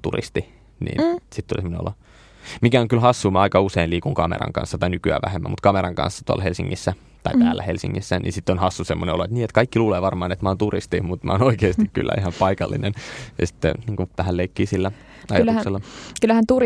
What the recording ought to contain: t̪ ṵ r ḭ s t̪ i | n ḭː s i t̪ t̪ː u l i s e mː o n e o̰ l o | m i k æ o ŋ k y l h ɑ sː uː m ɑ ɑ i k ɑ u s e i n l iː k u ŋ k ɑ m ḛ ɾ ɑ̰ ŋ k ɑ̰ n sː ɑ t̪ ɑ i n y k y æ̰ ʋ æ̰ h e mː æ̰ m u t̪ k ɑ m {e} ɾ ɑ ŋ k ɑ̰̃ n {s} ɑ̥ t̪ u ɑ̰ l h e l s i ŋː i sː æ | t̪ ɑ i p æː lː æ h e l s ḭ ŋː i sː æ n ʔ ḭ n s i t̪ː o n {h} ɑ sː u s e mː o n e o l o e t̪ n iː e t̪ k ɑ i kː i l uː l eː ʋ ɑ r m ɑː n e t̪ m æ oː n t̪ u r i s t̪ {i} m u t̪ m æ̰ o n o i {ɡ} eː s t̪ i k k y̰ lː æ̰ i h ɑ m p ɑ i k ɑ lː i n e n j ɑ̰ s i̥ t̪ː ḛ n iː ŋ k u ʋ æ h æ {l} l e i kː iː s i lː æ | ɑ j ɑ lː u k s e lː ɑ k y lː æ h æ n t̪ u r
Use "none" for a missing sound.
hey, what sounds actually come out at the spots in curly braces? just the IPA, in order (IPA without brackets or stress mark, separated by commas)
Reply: e, sː, h, i, k, l